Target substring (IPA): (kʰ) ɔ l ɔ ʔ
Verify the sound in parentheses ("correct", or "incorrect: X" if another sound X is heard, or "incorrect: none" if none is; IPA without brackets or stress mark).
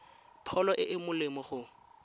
incorrect: pʰ